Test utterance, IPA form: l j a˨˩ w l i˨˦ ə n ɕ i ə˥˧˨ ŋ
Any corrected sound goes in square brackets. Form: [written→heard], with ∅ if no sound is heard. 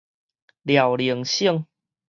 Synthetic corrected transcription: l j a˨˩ w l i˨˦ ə [n→ŋ] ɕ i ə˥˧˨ ŋ